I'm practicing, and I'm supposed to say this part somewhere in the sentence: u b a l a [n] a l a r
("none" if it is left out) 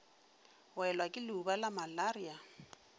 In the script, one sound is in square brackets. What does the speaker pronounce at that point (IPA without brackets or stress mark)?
m